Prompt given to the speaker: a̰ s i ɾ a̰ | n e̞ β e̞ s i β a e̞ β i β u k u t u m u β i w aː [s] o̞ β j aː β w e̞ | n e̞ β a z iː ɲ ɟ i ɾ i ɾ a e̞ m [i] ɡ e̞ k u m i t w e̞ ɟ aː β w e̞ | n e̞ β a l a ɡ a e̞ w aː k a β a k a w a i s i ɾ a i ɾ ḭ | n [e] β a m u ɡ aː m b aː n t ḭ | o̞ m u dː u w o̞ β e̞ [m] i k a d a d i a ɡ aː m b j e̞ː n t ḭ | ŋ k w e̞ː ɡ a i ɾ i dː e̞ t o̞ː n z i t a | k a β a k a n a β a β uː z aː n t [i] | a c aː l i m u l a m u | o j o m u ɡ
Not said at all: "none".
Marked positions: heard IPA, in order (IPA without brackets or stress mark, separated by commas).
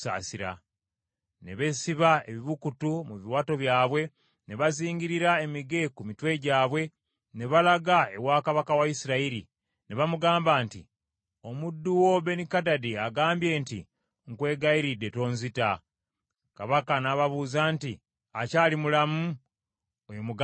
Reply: t, i, e, n, i